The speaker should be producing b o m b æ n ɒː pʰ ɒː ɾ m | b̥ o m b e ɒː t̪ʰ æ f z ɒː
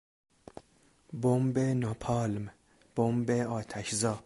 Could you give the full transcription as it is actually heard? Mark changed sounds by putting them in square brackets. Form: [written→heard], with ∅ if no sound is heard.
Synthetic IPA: b o m b [æ→e] n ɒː pʰ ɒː [ɾ→l] m | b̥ o m b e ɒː t̪ʰ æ [f→ʃ] z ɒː

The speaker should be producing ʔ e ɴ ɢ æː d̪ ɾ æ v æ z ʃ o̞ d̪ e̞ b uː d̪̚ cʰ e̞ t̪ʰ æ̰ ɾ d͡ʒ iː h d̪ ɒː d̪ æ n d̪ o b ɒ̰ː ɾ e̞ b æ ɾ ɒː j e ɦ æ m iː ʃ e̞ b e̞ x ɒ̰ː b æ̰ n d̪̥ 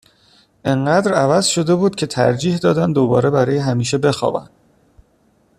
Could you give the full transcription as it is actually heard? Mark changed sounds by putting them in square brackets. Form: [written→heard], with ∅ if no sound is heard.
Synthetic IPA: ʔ e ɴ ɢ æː d̪ ɾ æ v æ z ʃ o̞ d̪ e̞ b uː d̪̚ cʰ e̞ t̪ʰ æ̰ ɾ d͡ʒ iː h d̪ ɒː d̪ æ n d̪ o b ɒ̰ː ɾ e̞ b æ ɾ ɒː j e ɦ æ m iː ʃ e̞ b e̞ x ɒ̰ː b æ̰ n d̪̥

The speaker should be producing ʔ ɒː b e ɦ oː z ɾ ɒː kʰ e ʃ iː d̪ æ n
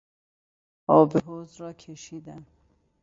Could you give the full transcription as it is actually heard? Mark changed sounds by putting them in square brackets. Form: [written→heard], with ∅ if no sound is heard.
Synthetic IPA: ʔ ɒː b e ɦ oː z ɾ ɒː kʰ e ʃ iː d̪ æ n

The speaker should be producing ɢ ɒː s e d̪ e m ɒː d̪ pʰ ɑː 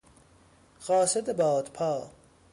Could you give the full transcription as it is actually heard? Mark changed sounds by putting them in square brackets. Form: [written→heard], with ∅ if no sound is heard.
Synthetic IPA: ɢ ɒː s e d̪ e [m→b] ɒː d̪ pʰ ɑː

